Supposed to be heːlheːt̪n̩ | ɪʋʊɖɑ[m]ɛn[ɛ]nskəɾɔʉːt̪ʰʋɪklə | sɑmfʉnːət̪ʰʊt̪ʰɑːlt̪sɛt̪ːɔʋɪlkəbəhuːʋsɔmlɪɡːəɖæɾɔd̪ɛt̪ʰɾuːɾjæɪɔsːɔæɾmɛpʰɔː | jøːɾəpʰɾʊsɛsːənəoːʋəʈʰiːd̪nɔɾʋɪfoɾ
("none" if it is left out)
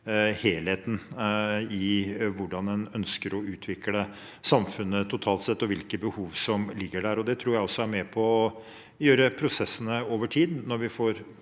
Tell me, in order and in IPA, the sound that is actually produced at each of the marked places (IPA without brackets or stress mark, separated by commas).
n, œ